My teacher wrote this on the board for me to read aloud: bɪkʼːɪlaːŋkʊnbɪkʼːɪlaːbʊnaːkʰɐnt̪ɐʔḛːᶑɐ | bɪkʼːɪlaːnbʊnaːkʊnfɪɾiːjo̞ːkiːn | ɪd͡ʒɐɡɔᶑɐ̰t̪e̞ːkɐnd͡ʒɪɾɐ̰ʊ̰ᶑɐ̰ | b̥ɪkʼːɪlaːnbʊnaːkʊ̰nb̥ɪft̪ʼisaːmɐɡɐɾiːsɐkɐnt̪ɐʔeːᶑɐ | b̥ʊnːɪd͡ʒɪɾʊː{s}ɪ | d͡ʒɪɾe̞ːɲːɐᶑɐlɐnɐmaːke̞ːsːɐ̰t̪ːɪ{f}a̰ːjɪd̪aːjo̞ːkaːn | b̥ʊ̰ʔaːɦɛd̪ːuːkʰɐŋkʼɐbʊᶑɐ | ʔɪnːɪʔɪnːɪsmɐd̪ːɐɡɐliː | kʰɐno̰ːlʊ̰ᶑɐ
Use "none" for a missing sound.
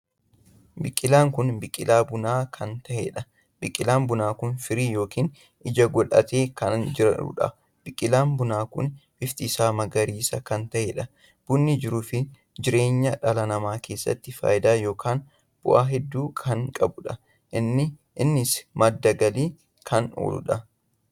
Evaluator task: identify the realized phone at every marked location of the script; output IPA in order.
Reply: f, f

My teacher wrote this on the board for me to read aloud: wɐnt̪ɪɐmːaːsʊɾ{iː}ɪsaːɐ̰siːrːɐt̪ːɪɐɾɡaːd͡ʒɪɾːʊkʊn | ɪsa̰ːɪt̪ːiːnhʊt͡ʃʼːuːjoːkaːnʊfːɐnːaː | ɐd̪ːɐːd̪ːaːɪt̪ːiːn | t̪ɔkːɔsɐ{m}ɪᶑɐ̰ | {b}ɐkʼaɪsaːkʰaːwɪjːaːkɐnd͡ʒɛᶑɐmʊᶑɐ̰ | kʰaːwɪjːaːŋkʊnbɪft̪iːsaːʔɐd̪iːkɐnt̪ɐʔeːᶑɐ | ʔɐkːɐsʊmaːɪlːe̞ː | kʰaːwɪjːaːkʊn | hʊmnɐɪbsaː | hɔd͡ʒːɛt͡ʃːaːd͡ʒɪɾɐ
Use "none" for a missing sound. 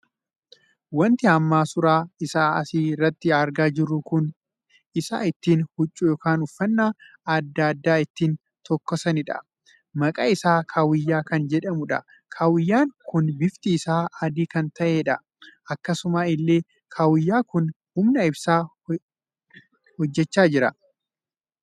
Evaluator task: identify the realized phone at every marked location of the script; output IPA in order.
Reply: aː, n, m

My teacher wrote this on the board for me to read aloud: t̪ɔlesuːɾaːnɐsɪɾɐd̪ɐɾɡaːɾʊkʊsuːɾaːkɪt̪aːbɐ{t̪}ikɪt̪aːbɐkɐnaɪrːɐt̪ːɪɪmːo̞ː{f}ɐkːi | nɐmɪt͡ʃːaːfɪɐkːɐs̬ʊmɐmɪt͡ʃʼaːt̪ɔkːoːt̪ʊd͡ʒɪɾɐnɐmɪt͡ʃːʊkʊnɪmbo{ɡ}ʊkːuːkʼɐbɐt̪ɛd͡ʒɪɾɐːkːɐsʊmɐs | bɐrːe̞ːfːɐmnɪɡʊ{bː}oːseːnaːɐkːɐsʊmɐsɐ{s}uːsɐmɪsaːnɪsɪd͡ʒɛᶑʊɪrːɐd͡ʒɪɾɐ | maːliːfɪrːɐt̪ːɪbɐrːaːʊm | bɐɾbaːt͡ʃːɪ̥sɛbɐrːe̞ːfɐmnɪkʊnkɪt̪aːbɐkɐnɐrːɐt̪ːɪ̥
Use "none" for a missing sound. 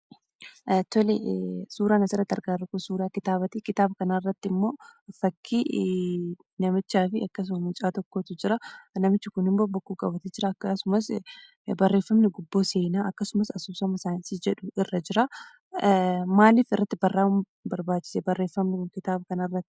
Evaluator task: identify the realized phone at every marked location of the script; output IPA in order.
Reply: t̪, f, b, bː, s

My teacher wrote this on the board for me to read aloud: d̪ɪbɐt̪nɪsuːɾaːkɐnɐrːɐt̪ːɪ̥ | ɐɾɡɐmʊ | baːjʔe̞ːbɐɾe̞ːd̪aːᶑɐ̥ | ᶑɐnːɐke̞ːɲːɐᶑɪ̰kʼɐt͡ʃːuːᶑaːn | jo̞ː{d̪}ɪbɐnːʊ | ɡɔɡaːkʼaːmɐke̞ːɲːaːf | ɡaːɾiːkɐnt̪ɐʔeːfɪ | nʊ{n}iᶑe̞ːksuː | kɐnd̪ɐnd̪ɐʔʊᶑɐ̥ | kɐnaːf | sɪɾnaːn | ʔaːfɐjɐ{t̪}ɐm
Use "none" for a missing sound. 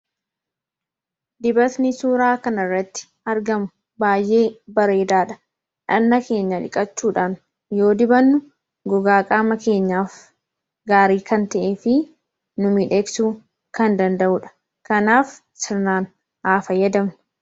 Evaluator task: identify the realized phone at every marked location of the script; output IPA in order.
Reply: d̪, m, d̪

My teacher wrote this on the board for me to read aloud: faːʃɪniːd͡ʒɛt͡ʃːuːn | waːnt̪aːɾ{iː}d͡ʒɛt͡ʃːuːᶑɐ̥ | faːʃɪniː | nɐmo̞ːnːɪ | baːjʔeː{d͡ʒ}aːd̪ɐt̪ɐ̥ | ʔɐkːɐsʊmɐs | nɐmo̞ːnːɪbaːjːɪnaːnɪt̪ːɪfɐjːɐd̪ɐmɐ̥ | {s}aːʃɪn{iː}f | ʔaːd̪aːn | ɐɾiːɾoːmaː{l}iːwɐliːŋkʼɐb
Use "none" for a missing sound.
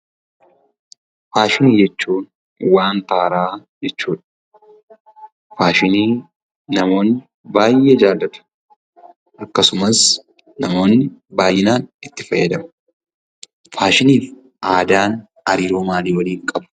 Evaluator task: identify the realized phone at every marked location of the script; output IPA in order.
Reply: aː, d͡ʒ, f, iː, l

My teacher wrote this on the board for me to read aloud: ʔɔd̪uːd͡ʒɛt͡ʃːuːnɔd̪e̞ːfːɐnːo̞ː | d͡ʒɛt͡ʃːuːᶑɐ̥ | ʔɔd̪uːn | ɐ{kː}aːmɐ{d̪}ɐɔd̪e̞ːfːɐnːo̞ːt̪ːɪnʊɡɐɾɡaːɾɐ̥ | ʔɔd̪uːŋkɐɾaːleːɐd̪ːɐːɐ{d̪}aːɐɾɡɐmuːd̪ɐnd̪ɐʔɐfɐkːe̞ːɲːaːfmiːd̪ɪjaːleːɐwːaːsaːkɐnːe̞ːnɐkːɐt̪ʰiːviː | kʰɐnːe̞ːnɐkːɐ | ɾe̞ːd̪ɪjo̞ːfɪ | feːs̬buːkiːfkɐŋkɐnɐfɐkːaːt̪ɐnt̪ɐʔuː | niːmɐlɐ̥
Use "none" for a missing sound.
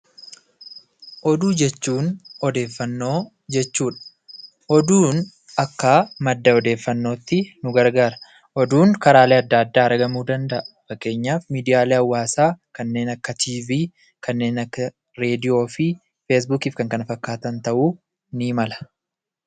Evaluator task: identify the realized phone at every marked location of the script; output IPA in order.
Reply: kː, d̪ː, d̪ː

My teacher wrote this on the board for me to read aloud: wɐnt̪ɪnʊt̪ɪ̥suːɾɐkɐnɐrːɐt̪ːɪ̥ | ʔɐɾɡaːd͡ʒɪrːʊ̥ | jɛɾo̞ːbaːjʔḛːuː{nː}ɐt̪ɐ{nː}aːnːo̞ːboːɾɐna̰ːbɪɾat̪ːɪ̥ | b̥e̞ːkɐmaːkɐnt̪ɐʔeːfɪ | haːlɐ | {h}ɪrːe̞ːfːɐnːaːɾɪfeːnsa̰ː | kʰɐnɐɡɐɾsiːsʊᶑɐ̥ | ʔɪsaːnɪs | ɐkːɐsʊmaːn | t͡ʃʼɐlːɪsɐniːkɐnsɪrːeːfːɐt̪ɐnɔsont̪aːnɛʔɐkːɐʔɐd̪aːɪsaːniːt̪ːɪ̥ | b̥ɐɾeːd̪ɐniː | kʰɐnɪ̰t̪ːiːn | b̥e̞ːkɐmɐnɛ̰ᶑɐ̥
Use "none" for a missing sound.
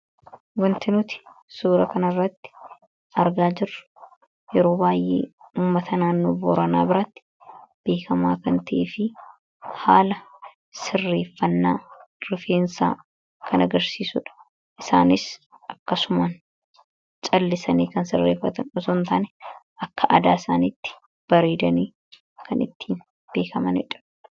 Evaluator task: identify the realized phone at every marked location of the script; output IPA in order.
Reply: mː, n, s

